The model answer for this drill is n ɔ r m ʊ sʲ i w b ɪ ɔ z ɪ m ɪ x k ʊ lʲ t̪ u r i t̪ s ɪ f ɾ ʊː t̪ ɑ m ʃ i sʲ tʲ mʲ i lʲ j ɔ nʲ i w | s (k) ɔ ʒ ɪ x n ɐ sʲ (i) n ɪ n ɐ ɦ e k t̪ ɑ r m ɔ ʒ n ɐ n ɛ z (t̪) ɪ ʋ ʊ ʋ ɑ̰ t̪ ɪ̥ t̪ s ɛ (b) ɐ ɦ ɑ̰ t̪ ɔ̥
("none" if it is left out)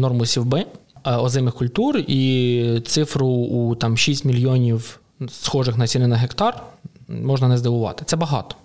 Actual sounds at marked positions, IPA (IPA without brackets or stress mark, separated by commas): x, i, d̪, b